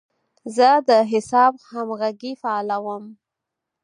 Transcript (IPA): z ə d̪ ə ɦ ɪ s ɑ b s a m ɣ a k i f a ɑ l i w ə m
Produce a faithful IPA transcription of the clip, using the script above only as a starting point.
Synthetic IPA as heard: z ə d̪ ə ɦ ɪ s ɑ b h a m ɣ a ɡ i f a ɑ l a w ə m